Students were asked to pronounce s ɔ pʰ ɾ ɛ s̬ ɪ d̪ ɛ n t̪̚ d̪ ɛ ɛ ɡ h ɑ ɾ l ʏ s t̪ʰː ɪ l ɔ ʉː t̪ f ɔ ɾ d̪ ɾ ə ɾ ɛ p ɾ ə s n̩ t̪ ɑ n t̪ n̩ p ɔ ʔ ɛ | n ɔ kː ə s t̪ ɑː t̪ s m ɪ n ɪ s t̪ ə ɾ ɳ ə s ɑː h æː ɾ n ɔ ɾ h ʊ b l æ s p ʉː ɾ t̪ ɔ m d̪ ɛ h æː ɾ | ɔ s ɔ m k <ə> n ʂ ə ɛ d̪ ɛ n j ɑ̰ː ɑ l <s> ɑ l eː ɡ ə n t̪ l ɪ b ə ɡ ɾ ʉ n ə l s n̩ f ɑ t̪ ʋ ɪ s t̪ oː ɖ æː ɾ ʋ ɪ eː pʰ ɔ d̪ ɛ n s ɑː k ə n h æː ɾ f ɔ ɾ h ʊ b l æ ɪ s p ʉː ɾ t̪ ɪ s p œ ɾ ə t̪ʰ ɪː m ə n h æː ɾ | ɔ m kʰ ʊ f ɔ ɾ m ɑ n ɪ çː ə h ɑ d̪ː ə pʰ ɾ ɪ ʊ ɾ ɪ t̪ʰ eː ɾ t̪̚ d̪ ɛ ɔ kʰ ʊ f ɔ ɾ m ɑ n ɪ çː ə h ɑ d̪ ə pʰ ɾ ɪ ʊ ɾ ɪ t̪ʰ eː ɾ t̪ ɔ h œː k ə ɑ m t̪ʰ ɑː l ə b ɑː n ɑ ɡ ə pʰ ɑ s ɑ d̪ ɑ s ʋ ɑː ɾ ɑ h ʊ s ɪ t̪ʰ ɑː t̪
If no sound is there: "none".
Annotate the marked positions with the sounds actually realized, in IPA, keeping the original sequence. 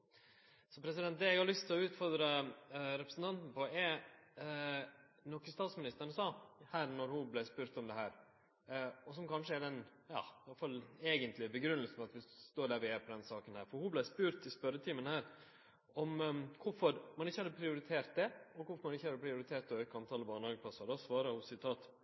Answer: ɑ, f

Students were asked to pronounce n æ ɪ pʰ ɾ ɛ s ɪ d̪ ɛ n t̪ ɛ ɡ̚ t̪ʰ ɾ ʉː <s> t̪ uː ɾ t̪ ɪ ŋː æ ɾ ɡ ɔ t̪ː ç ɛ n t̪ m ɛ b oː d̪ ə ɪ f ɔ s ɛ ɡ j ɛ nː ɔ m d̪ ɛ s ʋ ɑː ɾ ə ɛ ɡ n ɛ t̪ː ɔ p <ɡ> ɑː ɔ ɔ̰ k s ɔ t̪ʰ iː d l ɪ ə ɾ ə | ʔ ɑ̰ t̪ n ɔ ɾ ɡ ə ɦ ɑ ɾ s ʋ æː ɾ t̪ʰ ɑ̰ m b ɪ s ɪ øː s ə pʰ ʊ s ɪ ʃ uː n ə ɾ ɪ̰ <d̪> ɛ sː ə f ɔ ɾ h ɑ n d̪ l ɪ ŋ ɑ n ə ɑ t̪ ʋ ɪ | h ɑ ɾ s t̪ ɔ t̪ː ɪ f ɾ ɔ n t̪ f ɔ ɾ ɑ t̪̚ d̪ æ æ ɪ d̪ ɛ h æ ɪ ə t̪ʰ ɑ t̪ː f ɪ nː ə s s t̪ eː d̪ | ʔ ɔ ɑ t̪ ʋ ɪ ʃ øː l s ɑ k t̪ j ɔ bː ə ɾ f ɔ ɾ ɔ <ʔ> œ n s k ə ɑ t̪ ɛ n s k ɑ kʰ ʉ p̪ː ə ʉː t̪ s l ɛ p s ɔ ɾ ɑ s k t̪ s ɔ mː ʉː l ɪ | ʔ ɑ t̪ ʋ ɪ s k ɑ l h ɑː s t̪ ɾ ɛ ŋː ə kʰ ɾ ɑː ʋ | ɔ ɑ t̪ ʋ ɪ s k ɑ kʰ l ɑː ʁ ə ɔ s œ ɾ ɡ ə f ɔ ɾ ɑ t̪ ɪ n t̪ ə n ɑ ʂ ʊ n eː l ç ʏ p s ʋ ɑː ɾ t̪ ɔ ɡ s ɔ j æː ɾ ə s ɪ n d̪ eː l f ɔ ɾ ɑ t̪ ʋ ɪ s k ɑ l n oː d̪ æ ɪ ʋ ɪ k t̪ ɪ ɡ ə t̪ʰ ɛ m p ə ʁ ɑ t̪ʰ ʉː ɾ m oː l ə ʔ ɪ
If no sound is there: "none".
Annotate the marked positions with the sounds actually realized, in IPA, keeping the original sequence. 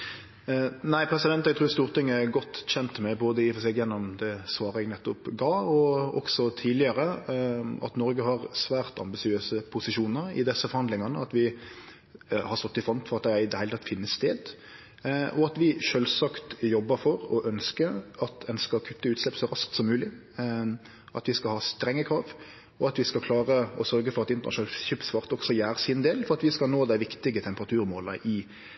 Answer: s, ɡ, d̪, ʔ

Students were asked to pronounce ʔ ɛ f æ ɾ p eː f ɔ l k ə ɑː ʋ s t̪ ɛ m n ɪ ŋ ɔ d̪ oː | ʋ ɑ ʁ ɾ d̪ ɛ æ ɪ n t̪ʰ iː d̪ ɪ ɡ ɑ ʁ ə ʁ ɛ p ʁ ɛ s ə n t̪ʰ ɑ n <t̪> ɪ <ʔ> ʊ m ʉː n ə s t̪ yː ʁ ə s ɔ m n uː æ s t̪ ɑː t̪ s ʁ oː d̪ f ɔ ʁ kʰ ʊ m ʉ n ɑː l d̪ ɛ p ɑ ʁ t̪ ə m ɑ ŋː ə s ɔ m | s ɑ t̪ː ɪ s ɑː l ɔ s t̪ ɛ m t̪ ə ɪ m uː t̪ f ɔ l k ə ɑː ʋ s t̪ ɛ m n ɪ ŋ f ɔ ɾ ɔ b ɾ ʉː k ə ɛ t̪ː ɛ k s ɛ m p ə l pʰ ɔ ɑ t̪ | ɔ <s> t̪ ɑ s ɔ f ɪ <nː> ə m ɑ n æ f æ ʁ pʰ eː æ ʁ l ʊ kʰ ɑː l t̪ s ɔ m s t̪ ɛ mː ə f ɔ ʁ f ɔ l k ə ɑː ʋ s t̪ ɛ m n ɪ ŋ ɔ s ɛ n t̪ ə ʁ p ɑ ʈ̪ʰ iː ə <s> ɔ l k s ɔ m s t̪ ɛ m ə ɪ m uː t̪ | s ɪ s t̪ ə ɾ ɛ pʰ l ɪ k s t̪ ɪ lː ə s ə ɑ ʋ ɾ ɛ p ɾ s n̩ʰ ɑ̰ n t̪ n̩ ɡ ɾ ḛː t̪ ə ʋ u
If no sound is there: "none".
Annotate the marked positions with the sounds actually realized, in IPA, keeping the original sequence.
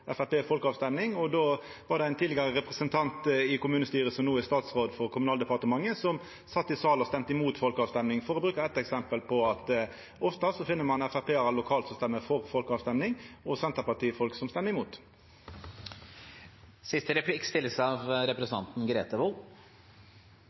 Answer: t̪, k, f, nː, f

